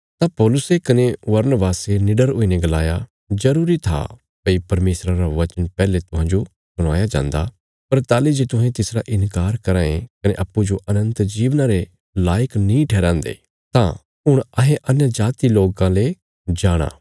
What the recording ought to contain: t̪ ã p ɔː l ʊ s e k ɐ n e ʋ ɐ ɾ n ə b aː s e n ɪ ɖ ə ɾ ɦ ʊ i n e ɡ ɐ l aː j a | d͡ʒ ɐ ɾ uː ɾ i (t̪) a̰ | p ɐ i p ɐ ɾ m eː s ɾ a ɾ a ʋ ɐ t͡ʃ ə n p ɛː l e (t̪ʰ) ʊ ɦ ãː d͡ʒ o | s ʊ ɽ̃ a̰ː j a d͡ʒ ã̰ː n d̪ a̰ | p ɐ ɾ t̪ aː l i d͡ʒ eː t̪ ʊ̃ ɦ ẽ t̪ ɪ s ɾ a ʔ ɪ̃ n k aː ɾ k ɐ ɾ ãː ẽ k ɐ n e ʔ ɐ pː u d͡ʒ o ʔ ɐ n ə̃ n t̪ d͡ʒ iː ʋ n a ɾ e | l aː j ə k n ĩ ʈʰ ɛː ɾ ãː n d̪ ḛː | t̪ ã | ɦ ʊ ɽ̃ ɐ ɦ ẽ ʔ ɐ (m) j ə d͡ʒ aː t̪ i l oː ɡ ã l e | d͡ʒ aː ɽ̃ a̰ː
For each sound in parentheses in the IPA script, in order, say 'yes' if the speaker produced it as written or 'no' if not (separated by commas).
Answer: no, no, no